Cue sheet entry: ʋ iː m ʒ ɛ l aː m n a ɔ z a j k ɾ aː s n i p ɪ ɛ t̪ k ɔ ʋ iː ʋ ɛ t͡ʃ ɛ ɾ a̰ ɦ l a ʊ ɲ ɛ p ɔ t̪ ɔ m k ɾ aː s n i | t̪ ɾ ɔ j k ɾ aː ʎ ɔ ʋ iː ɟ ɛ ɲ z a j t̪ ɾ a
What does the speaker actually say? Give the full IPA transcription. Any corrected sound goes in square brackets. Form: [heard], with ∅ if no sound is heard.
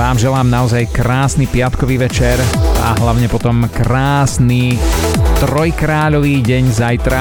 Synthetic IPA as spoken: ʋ [aː] m ʒ ɛ l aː m n a ɔ z a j k ɾ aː s n i p ɪ [a] t̪ k ɔ ʋ iː ʋ ɛ t͡ʃ ɛ ɾ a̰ ɦ l a ʊ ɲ ɛ p ɔ t̪ ɔ m k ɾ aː s n i | t̪ ɾ ɔ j k ɾ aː ʎ ɔ ʋ iː ɟ ɛ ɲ z a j t̪ ɾ a